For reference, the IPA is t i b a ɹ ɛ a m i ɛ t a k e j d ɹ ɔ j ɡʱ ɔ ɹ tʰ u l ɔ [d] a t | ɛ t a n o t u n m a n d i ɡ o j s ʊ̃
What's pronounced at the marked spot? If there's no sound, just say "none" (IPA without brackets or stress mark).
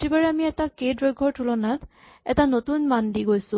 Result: n